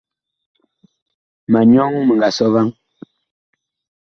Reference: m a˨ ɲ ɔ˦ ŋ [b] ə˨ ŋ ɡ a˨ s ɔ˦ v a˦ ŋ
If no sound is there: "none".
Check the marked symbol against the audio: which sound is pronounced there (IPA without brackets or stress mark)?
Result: m